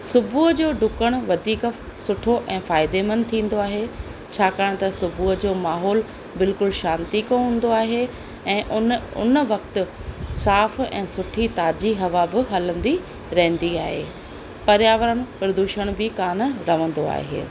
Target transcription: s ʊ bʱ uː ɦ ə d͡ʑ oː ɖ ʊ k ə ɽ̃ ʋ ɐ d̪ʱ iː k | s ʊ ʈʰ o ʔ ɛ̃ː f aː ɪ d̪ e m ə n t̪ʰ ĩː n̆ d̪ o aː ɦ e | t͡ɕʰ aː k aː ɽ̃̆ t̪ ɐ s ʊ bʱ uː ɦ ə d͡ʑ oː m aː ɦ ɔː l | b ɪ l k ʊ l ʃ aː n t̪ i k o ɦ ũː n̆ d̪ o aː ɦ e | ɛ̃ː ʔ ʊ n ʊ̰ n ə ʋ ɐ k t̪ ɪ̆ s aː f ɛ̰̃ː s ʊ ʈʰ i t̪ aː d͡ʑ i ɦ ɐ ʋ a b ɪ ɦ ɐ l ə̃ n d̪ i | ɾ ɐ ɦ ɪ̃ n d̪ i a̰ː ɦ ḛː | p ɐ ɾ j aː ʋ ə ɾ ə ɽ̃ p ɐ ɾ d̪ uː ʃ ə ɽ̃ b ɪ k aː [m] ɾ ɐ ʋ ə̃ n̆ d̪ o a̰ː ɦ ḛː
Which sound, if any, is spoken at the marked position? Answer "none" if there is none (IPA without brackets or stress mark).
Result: n